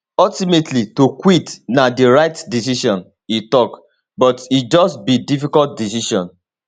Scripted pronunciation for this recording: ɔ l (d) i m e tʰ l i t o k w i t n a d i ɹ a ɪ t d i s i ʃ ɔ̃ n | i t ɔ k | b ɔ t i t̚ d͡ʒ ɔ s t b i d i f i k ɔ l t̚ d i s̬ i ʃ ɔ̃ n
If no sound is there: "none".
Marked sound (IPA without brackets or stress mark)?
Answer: t